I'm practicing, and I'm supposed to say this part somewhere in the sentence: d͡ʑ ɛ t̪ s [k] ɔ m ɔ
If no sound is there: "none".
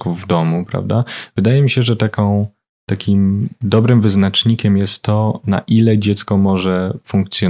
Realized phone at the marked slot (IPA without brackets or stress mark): k